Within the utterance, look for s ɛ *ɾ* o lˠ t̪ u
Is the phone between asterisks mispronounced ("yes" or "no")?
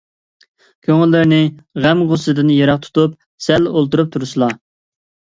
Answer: yes